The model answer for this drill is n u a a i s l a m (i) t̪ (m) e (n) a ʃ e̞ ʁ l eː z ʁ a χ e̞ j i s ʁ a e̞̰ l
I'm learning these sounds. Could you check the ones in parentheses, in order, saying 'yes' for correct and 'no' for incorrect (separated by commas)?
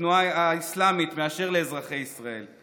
yes, yes, no